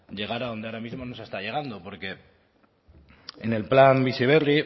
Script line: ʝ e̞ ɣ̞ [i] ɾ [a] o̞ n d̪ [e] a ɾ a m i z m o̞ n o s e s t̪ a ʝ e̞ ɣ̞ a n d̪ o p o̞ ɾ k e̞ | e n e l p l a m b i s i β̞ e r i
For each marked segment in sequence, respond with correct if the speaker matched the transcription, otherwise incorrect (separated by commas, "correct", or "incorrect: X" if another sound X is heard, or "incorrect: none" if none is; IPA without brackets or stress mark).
incorrect: a, correct, correct